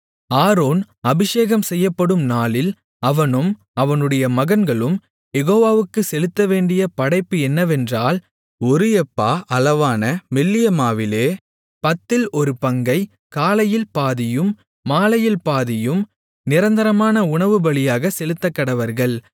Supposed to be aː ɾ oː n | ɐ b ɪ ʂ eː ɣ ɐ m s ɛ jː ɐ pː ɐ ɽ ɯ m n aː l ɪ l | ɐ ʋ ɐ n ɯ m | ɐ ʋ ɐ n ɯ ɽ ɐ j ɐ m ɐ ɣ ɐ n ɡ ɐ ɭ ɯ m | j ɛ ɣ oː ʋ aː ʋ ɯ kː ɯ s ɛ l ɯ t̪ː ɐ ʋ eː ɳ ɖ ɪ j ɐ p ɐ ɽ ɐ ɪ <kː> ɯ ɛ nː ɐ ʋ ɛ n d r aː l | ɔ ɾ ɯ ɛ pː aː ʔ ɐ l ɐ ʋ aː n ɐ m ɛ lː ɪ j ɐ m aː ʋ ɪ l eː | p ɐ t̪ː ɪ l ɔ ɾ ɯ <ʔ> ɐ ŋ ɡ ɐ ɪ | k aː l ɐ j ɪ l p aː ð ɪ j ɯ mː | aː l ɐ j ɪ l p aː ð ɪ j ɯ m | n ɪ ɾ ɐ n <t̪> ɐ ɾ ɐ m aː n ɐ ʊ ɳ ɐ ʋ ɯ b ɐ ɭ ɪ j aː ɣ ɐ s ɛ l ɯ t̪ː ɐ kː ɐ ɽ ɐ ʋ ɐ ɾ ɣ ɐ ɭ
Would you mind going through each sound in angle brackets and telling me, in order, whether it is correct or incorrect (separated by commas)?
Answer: incorrect, incorrect, incorrect